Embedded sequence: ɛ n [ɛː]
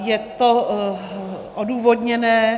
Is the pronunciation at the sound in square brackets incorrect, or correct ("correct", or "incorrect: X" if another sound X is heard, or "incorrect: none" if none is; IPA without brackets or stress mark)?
correct